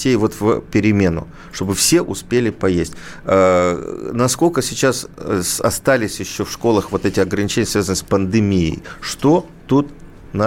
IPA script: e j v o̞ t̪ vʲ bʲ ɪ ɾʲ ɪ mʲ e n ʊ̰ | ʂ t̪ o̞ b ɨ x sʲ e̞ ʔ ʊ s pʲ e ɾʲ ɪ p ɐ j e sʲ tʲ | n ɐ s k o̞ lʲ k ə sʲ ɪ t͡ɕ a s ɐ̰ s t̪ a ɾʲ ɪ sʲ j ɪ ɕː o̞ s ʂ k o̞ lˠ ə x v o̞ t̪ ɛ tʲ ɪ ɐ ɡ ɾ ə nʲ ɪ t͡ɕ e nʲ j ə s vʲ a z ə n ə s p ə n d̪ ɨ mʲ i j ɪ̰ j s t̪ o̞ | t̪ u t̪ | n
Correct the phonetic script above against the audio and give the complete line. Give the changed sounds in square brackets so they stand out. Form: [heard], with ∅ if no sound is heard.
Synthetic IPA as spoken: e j v o̞ t̪ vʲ [pʲ] ɪ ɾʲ ɪ mʲ e n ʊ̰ | ʂ t̪ o̞ b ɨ [f] sʲ e̞ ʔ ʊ s pʲ e [lʲ] ɪ p ɐ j e sʲ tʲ | n ɐ s k o̞ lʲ k ə sʲ ɪ t͡ɕ a s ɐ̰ s t̪ a [lʲ] ɪ sʲ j ɪ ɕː o̞ [f] ʂ k o̞ lˠ ə x v o̞ t̪ ɛ tʲ ɪ ɐ ɡ ɾ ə nʲ ɪ t͡ɕ e nʲ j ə s vʲ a z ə n ə s p ə n d̪ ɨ mʲ i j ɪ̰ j [ʂ] t̪ o̞ | t̪ u t̪ | n